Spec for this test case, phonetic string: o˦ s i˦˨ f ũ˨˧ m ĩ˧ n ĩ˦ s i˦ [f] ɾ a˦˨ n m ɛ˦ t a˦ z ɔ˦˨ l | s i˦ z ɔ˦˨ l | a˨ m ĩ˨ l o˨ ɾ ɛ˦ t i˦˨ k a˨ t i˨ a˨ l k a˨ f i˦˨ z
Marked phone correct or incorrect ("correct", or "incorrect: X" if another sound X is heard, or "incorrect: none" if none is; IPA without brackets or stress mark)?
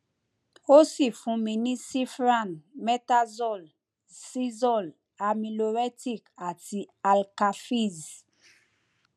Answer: correct